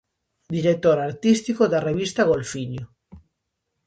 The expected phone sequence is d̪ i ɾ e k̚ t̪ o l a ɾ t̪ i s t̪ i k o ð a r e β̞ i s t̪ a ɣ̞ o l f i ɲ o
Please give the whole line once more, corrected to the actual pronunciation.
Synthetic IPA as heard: d̪ i ɾ e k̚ t̪ o ɾ a ɾ t̪ i s t̪ i k o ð a r e β̞ i s t̪ a ɣ̞ o l f i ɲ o